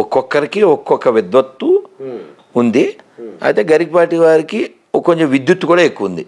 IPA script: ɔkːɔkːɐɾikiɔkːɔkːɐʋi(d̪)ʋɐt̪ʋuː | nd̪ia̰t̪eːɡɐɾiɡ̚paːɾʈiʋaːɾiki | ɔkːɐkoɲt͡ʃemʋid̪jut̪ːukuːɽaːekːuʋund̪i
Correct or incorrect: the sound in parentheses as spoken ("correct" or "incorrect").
correct